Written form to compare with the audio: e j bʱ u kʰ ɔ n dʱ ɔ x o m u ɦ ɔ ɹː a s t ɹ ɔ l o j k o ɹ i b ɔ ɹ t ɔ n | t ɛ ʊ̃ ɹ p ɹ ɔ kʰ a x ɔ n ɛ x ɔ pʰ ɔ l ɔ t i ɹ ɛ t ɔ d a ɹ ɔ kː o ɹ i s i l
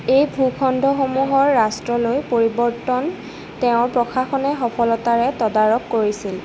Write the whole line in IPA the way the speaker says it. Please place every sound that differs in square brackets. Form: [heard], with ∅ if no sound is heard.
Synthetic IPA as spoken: e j bʱ u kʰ ɔ n dʱ ɔ x o m u ɦ ɔ ɹː a s t ɹ ɔ l o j [p] o ɹ i b ɔ ɹ t ɔ n | t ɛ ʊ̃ ɹ p ɹ ɔ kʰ a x ɔ n ɛ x ɔ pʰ ɔ l ɔ t [a] ɹ ɛ t ɔ d a ɹ ɔ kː o ɹ i s i l